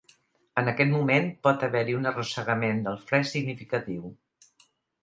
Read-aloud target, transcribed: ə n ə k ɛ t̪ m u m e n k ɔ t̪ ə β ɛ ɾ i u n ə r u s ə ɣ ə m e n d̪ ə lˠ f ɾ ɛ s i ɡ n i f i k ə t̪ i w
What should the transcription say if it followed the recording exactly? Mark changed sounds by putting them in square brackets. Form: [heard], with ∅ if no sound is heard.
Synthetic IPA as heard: ə n ə k ɛ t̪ m u m e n [p] ɔ t̪ ə β ɛ ɾ i u n ə r u s ə ɣ ə m e n d̪ ə lˠ f ɾ ɛ s i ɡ n i f i k ə t̪ i w